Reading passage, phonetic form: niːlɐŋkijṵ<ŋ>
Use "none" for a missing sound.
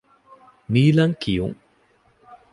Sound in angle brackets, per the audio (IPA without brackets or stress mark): ŋ